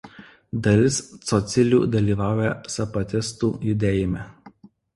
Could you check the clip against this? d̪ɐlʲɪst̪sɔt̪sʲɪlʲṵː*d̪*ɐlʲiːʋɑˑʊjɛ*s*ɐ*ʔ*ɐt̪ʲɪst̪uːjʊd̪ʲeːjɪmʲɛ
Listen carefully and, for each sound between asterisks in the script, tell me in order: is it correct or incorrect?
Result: correct, correct, incorrect: p

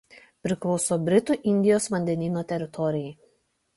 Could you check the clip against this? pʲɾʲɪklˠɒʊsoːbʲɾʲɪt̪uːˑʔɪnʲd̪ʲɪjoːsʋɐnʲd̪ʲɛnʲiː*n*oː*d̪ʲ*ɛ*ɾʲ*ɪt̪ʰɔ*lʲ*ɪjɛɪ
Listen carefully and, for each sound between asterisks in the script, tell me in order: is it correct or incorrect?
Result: correct, incorrect: t̪ʲ, correct, incorrect: ɾʲ

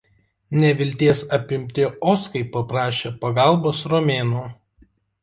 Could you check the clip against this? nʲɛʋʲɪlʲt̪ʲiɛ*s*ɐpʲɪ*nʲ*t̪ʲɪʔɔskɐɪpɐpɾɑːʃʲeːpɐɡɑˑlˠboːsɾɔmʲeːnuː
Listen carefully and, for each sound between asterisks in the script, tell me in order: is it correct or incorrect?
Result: correct, incorrect: mʲ

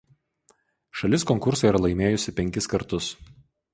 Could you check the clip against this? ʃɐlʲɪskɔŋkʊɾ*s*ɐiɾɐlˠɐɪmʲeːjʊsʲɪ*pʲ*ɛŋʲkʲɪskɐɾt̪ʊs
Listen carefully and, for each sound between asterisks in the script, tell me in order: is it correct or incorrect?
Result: correct, correct

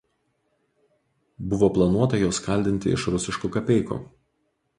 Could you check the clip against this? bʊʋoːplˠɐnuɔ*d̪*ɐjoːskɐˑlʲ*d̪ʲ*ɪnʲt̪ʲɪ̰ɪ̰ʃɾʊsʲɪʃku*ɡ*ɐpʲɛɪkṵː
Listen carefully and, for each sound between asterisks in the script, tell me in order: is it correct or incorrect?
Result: incorrect: t̪, correct, incorrect: k

